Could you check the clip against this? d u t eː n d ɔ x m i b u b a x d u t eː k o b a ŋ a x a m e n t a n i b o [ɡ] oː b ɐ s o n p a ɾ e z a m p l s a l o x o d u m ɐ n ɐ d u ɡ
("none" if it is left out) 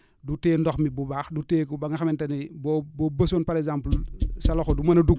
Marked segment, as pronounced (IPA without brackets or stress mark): b